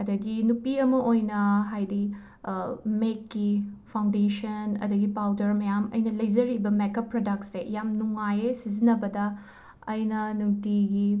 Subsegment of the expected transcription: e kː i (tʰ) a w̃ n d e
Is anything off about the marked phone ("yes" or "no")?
yes